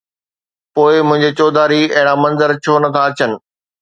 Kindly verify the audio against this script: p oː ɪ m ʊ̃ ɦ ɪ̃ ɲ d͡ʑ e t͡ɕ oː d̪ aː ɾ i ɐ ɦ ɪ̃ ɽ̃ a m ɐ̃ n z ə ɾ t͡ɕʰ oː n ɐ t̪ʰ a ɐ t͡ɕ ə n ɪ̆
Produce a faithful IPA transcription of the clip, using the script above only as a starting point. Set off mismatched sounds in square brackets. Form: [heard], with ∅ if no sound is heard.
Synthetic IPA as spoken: p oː ɪ m ʊ̃ ɦ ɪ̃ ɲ d͡ʑ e t͡ɕ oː d̪ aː ɾ i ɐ ɦ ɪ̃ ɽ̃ a m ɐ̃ n z ə ɾ t͡ɕʰ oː n ɐ t̪ʰ a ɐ t͡ɕ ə n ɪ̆